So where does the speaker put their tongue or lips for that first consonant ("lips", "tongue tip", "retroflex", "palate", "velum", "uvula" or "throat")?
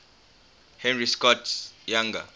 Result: throat